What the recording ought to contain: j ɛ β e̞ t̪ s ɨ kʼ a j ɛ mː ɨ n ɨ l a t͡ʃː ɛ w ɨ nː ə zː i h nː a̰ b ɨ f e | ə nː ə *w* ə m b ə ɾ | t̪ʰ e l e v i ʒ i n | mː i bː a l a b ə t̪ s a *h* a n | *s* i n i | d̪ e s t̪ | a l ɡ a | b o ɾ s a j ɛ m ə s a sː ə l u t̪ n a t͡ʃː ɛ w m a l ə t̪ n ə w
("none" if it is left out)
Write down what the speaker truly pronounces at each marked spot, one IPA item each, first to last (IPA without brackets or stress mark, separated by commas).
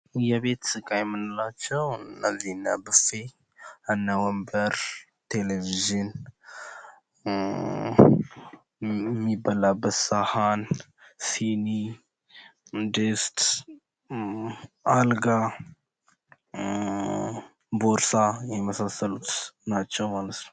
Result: w, h, s